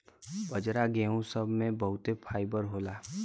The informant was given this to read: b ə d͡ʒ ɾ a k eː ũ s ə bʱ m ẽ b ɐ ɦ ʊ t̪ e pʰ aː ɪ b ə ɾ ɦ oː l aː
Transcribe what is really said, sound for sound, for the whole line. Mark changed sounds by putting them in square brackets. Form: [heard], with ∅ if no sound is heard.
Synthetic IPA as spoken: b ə d͡ʒ ɾ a [ɡ] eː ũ s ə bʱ m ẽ b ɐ ɦ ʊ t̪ e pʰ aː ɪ b ə ɾ ɦ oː l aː